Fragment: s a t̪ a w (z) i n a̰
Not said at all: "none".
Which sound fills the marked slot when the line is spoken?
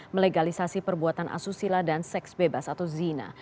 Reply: z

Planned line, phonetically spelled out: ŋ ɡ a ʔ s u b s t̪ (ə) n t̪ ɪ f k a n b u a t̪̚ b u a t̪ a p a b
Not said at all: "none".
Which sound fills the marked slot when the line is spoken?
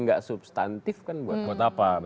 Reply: a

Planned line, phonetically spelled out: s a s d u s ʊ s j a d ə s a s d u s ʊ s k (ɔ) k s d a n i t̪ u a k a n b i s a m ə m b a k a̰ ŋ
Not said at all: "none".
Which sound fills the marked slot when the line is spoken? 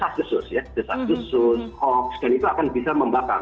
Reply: ɔ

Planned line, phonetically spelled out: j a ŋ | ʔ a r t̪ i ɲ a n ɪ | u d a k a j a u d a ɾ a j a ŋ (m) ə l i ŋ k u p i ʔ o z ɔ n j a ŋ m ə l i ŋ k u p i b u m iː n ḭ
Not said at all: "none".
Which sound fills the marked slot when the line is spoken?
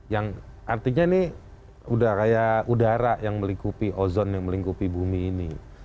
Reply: m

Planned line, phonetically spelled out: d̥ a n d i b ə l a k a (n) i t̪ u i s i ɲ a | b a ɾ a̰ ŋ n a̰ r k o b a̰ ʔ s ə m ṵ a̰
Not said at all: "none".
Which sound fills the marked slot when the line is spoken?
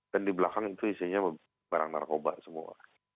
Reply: ŋ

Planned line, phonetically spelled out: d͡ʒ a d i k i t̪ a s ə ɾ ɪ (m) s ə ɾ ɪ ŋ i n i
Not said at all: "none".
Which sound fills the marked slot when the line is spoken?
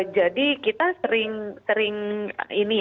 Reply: ŋ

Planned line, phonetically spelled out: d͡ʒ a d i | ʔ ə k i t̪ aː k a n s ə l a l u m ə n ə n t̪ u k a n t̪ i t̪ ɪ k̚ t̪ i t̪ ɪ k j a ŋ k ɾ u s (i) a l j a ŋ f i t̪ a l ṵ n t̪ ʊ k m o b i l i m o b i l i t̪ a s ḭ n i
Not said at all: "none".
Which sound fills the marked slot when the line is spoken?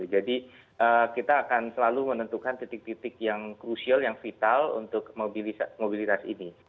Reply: i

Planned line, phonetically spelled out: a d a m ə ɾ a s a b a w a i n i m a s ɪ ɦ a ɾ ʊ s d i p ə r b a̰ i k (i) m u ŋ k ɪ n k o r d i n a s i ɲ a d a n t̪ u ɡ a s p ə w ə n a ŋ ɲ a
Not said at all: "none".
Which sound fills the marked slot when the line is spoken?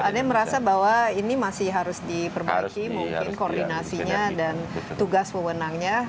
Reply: i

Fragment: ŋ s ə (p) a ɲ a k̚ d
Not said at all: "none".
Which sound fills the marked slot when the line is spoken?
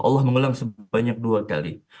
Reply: b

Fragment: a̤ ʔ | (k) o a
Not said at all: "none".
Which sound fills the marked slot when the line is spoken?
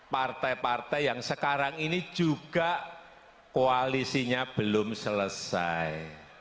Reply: k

